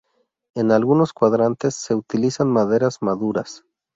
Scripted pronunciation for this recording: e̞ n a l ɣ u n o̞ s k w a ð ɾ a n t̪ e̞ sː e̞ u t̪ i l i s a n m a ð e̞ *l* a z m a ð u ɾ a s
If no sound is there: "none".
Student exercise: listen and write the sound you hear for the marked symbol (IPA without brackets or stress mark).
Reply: ɾ